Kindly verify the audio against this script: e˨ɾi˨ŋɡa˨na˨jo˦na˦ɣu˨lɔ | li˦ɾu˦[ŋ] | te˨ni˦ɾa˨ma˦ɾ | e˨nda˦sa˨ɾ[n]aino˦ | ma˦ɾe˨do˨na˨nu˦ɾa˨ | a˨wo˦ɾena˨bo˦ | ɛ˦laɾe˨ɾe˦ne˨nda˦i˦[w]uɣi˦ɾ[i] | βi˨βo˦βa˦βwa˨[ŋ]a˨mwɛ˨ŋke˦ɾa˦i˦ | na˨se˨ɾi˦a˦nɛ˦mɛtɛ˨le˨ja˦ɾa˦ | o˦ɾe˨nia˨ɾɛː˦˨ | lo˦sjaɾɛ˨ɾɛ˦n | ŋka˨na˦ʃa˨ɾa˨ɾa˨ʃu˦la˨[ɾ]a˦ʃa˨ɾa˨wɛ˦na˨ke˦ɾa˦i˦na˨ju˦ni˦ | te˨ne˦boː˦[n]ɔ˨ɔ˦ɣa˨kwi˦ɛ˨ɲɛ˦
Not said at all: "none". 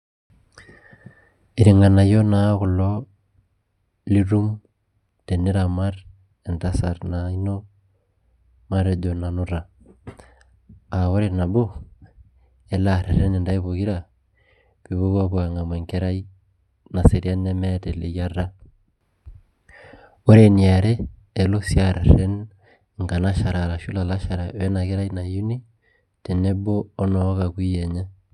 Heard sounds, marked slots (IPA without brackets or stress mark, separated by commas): m, n, β, a, ŋ, l, n